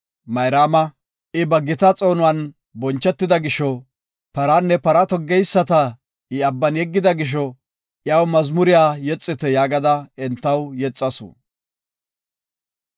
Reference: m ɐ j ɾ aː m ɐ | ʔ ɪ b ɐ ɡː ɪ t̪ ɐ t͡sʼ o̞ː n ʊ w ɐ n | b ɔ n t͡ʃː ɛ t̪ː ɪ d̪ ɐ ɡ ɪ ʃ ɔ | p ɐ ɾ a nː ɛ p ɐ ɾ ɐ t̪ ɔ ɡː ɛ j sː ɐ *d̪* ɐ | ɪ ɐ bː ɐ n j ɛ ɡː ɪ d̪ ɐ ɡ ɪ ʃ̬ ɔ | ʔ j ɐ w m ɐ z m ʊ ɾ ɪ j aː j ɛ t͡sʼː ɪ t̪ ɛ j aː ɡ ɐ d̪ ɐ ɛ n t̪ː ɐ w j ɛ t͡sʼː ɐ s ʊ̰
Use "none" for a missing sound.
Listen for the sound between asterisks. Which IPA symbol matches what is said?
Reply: t̪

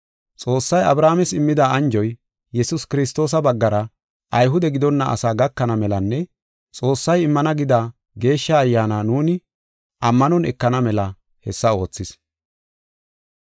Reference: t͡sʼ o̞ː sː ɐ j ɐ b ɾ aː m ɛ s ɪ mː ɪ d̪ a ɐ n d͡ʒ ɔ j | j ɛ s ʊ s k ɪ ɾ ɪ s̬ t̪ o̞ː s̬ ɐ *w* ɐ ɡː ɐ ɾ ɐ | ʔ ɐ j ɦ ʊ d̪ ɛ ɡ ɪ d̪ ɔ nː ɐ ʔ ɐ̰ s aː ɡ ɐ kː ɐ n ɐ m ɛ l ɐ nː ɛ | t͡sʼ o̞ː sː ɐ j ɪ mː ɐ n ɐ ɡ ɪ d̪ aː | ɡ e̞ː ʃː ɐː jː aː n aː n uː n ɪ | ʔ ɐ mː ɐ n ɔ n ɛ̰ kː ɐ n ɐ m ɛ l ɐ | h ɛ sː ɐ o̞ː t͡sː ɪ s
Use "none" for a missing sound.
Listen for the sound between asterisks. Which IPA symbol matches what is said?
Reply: b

